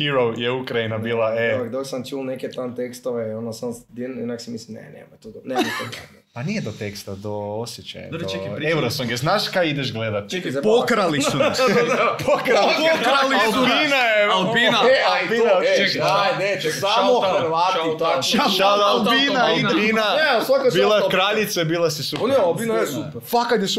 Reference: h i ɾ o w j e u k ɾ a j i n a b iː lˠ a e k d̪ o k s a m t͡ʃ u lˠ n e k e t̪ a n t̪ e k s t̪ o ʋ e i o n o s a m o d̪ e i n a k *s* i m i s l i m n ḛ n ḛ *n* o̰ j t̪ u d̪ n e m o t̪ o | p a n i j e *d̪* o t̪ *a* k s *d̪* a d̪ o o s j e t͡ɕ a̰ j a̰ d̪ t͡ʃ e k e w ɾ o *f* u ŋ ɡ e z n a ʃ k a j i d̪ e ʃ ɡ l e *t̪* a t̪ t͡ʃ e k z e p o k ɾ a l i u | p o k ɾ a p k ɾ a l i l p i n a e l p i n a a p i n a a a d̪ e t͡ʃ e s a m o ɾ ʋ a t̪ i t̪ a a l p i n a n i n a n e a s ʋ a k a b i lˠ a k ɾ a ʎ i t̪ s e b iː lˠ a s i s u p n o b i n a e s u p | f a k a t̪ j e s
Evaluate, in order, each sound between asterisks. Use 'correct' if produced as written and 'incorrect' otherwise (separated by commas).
correct, incorrect, correct, incorrect, incorrect, incorrect, incorrect